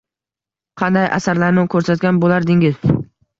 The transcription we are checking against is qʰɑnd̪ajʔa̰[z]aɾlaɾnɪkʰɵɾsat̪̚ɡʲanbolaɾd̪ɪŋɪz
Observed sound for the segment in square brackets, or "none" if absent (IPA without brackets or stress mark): s